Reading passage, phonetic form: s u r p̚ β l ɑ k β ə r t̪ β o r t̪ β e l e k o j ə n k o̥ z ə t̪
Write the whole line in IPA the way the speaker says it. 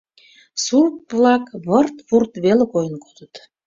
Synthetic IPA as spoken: s u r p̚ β l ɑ k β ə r t̪ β u r t̪ β e l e k o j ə n k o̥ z ə t̪